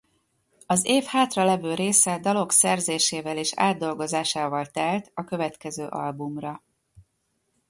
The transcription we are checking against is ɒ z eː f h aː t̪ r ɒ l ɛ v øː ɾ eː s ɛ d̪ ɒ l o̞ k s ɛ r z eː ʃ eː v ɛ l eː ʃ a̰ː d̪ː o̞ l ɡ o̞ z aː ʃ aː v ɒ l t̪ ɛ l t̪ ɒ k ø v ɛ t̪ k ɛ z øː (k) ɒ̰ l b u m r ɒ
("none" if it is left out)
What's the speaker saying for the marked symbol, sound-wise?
ʔ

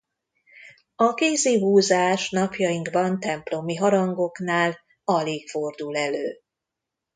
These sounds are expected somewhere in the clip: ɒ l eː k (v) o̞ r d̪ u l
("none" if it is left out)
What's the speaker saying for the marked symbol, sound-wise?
f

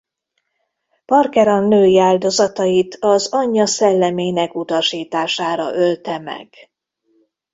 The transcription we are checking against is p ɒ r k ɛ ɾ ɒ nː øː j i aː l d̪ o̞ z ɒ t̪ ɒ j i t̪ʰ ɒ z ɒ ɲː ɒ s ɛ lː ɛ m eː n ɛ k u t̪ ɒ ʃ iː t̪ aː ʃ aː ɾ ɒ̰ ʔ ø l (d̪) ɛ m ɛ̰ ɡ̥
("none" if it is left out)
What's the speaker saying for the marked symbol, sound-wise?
t̪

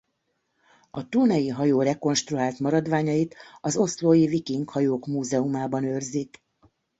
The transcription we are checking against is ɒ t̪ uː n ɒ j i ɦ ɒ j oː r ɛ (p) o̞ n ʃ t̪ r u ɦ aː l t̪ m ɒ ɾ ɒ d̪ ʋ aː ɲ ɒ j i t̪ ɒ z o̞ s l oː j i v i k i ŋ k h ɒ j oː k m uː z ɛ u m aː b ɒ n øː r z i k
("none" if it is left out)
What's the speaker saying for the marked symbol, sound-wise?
k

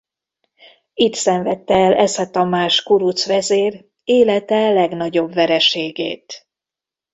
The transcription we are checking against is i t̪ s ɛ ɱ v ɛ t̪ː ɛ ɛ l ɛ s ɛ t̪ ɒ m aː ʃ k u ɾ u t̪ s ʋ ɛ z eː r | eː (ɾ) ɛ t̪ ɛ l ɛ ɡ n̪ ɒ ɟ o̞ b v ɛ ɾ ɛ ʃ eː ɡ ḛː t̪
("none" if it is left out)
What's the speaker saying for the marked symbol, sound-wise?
l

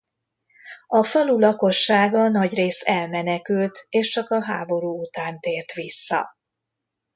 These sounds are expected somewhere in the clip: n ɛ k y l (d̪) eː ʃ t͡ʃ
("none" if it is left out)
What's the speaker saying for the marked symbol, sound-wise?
t̪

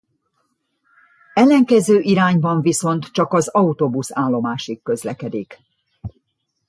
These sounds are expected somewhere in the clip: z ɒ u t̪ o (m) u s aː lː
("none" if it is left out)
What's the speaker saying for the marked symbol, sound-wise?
b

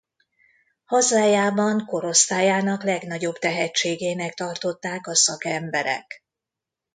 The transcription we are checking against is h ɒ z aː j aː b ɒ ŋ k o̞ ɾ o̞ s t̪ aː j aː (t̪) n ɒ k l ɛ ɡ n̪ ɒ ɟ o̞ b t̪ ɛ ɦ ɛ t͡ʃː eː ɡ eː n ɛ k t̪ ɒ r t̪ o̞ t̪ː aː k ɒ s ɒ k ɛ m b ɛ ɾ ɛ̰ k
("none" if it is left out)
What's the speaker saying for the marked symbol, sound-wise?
none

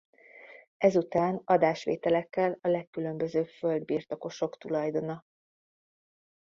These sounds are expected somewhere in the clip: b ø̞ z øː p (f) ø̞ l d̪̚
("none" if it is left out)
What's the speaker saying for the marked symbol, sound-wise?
f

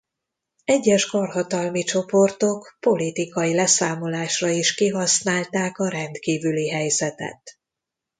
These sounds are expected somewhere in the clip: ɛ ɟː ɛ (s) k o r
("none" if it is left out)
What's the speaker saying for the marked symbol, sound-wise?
ʃ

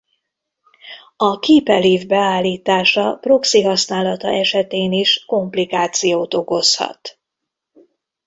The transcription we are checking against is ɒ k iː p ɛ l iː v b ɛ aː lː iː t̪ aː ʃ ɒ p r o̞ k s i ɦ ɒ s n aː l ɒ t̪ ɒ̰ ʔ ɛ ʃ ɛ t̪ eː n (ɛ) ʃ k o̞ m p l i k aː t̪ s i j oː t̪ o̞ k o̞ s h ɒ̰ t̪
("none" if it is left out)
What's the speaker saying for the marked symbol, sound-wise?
i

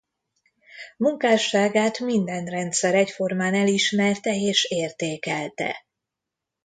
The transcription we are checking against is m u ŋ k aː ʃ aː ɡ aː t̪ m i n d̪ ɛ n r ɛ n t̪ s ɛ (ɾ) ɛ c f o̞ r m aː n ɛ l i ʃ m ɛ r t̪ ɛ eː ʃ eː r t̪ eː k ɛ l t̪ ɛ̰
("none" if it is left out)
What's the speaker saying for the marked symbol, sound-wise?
ɾ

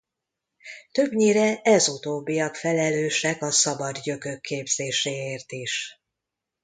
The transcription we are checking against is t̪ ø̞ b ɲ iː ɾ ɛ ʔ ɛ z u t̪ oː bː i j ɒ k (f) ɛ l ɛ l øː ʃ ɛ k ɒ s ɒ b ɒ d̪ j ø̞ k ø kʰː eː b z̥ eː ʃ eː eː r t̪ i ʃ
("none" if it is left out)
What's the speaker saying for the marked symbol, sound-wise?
f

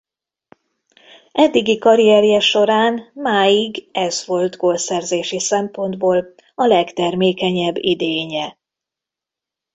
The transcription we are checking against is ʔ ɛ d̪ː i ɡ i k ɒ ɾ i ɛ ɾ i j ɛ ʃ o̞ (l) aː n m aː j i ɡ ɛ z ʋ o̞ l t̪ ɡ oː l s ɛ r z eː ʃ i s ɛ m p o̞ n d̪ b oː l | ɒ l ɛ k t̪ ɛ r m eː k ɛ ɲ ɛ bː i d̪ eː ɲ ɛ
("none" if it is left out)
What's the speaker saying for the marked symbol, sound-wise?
ɾ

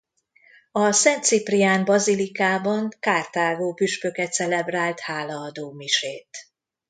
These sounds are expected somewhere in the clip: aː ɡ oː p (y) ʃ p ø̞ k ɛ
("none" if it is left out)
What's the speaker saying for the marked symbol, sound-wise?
y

